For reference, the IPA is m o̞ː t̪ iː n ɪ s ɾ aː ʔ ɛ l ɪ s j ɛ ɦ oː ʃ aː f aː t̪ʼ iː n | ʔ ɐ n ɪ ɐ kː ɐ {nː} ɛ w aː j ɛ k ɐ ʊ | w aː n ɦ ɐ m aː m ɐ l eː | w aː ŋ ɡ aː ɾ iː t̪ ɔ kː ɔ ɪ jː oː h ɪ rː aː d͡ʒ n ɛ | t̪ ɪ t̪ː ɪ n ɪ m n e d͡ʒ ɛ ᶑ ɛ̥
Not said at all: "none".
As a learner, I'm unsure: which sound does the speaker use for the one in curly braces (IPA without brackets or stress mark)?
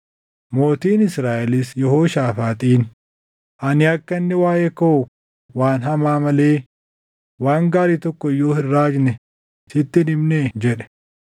nː